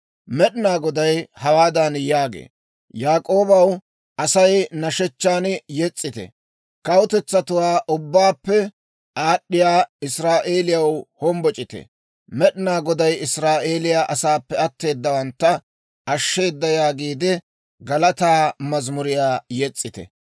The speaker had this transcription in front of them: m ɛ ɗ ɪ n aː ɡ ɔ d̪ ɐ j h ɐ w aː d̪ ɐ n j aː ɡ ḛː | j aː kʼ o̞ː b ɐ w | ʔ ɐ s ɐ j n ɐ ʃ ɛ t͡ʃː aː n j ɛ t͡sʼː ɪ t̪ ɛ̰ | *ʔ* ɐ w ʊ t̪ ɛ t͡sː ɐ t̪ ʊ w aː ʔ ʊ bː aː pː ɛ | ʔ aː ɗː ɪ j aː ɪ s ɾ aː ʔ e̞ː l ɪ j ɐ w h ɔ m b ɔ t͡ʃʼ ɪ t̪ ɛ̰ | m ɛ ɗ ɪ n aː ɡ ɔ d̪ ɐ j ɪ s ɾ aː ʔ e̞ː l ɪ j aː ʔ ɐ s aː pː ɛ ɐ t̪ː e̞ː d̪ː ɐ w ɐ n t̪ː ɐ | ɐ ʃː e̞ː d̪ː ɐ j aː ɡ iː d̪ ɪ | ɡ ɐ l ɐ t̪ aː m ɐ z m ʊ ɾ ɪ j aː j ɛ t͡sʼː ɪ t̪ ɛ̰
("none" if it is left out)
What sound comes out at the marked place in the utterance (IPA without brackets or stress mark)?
k